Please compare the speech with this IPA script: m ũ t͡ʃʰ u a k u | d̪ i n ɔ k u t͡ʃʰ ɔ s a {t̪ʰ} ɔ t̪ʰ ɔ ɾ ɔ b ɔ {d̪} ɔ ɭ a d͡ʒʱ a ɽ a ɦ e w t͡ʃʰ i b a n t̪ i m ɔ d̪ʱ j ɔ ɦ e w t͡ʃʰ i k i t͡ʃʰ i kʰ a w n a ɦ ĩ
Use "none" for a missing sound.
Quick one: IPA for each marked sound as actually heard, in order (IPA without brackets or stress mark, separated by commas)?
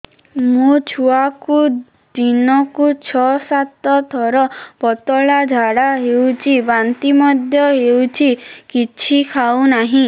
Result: t̪, t̪